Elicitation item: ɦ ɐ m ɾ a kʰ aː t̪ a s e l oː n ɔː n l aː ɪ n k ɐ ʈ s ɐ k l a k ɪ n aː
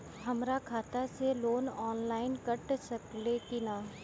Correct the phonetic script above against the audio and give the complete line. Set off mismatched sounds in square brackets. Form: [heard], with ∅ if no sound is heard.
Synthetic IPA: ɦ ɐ m ɾ a kʰ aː t̪ a s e l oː n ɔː n l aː ɪ n k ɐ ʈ s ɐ k l [e] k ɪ n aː